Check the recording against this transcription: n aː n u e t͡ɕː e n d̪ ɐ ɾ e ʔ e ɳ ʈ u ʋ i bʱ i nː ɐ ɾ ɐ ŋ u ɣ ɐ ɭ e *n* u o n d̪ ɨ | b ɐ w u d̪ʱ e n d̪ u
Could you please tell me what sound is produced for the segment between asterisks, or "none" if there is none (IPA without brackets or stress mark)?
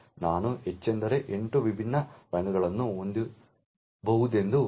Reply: nː